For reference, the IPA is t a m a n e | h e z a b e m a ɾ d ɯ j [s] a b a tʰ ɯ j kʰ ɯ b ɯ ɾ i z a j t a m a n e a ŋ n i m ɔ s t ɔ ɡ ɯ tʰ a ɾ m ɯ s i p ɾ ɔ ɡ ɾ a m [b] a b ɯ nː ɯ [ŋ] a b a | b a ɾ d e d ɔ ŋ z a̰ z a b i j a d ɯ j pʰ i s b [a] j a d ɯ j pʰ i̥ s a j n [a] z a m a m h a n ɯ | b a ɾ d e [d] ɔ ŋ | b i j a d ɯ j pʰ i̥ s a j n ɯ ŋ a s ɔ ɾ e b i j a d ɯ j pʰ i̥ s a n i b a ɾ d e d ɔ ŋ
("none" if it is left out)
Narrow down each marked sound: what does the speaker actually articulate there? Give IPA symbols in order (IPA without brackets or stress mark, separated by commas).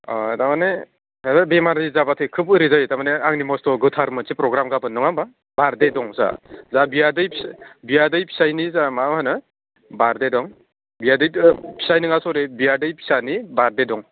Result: z, ɡ, ŋ, i, i, d